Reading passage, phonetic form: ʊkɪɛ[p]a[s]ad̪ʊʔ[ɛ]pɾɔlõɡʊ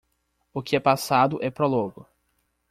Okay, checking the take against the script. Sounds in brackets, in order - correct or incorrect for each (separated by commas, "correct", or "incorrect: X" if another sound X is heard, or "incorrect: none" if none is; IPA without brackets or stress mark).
correct, correct, correct